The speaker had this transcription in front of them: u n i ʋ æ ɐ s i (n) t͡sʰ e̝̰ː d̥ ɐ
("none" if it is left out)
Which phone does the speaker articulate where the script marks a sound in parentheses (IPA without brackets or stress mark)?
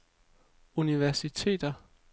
none